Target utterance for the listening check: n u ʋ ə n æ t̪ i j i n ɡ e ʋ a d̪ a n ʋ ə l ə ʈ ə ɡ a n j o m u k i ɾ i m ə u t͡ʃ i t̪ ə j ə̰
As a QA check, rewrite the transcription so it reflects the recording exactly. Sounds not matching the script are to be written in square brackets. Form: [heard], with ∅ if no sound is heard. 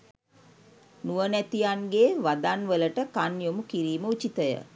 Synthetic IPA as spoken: n u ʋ ə n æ t̪ i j [a] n ɡ e ʋ a d̪ a n ʋ ə l ə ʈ ə [k] a n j o m u k i ɾ [iː] m ə u t͡ʃ i t̪ ə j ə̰